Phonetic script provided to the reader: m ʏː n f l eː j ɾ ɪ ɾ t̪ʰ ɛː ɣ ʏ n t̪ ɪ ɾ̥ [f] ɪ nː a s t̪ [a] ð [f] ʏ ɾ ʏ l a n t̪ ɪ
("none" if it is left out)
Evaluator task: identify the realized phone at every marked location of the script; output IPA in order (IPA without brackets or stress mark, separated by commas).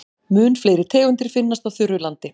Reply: f, a, θ